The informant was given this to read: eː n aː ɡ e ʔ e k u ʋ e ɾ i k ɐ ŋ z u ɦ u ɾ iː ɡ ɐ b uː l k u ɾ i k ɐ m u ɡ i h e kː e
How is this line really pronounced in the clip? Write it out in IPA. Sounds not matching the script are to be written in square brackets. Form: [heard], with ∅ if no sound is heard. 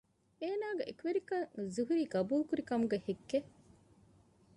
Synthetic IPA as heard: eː n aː ɡ e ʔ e k u ʋ e ɾ i k ɐ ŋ z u ɦ u ɾ iː ɡ ɐ b uː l k u ɾ i k ɐ m u ɡ [e] h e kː e